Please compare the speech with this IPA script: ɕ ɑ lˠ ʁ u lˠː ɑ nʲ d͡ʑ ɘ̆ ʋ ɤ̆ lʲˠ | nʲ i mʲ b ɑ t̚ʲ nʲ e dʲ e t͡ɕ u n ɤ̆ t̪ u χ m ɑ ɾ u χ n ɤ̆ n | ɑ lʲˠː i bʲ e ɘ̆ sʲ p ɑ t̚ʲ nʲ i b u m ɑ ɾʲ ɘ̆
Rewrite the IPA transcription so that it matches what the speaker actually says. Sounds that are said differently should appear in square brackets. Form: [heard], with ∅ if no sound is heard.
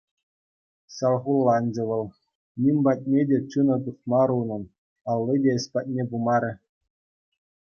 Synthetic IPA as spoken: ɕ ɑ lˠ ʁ u lˠː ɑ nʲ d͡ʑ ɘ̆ ʋ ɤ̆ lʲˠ | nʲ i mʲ b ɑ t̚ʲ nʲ e dʲ e t͡ɕ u n ɤ̆ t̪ u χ m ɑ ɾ u [∅] n ɤ̆ n | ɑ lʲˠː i [dʲ] e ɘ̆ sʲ p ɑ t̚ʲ nʲ [e] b u m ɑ ɾʲ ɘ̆